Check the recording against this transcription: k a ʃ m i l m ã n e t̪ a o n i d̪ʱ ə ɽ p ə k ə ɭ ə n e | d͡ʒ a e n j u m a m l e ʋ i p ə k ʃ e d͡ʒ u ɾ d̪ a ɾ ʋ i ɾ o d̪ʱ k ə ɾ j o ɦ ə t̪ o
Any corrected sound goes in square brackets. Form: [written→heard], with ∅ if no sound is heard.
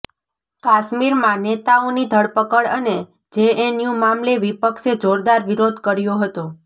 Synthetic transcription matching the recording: k a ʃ m i [l→ɾ] m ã n e t̪ a o n i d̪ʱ ə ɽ p ə k ə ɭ ə n e | d͡ʒ [a→e] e n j u m a m l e ʋ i p ə k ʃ e d͡ʒ [u→o] ɾ d̪ a ɾ ʋ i ɾ o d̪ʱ k ə ɾ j o ɦ ə t̪ o